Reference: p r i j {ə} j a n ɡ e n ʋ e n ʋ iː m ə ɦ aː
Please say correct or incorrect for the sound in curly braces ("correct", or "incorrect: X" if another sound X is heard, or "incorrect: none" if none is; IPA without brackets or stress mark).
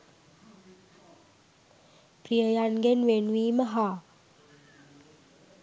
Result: correct